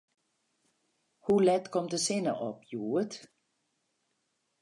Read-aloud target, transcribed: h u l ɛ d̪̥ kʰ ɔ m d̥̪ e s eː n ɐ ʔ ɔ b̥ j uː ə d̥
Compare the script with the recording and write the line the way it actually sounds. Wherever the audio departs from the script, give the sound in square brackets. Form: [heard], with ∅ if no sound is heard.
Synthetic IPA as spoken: h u l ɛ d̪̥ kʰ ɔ m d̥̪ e s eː n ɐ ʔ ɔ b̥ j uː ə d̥